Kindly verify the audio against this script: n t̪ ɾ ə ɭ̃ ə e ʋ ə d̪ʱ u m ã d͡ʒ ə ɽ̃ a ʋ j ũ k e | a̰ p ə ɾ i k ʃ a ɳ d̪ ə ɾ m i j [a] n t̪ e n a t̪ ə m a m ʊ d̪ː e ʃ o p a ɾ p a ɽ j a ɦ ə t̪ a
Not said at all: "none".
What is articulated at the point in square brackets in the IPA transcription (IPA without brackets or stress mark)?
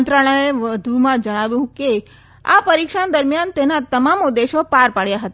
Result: a